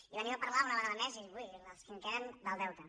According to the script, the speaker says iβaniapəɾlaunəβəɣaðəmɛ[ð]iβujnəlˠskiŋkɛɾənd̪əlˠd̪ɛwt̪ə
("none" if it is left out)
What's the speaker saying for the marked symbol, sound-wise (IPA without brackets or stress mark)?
z